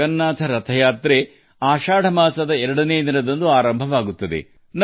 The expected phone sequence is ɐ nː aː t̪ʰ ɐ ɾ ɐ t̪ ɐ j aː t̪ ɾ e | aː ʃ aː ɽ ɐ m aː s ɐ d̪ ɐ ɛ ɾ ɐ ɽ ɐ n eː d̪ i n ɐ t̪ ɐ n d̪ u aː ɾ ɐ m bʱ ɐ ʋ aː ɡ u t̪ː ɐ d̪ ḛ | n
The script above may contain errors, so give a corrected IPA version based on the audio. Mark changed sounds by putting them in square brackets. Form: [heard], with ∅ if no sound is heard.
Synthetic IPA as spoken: ɐ nː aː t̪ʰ ɐ ɾ ɐ [t̪ʰ] ɐ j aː t̪ ɾ e | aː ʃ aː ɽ ɐ m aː s ɐ d̪ ɐ ɛ ɾ ɐ ɽ ɐ n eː d̪ i n ɐ [d̪] ɐ n d̪ u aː ɾ ɐ m bʱ ɐ ʋ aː ɡ u t̪ː ɐ d̪ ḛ | n